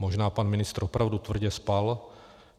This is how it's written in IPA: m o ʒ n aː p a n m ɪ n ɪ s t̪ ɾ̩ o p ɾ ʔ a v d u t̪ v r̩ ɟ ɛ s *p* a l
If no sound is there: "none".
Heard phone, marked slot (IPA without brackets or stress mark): p